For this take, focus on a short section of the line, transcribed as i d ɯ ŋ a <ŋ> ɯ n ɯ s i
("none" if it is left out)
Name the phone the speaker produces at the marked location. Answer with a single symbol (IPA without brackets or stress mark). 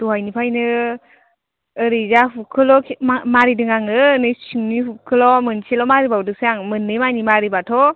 ŋ